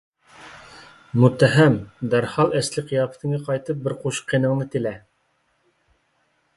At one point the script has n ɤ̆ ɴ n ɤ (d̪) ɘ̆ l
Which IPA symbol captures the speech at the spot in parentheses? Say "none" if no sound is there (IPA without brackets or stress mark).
t̪